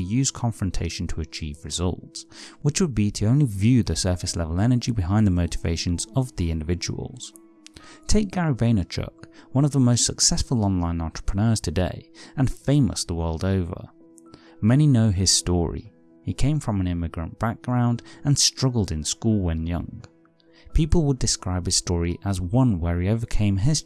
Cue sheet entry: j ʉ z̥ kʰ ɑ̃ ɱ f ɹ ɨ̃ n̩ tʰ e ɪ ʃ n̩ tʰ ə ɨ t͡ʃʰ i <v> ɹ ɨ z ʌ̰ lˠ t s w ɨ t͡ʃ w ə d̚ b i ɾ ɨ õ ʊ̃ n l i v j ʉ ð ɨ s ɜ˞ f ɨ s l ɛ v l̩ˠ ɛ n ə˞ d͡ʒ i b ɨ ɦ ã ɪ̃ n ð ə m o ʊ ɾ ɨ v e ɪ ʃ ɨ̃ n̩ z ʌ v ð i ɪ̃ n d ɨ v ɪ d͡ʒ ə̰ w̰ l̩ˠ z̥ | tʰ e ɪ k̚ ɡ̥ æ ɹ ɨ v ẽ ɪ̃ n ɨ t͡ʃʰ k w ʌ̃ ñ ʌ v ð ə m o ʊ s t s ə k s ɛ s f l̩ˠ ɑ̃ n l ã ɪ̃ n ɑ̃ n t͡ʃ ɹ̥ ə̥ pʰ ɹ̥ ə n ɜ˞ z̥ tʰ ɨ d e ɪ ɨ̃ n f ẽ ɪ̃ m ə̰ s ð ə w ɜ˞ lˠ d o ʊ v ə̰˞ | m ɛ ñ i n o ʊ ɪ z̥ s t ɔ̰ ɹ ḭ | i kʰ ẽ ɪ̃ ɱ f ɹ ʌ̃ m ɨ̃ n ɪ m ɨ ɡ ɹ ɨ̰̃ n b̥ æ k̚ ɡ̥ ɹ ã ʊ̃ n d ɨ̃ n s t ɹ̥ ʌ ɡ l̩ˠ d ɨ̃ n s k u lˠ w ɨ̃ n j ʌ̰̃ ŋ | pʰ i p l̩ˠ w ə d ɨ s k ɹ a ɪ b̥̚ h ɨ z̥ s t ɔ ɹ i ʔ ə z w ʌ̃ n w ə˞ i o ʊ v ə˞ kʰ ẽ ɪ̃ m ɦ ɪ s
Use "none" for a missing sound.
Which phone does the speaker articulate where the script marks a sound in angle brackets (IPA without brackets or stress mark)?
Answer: v